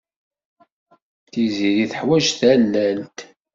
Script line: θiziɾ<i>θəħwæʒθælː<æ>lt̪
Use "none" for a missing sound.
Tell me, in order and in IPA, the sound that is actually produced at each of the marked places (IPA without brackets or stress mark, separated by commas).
i, æ